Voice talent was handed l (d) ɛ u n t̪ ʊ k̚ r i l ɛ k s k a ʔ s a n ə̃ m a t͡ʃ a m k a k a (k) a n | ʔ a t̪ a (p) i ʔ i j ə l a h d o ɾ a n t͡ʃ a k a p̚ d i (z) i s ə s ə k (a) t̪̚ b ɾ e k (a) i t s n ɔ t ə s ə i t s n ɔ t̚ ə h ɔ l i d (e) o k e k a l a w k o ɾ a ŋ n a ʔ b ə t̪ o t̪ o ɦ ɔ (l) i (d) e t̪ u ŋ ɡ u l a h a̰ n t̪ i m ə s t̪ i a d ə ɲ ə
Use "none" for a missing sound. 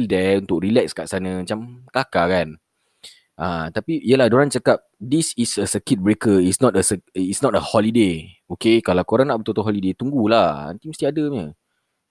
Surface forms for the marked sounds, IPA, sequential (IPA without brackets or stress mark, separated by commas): d, k, p, s, i, ə, e, l, d